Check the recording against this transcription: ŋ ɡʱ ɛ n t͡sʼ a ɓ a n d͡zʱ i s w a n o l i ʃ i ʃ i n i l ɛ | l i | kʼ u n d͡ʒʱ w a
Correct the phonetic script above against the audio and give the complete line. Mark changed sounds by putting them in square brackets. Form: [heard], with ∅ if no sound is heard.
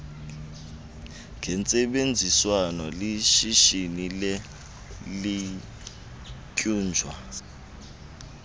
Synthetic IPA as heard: ŋ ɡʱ ɛ n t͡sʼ [ɛ] ɓ [e] n d͡zʱ i s w a n [ɔ] l i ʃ i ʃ i n i l ɛ | l i | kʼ [uː] n d͡ʒʱ w a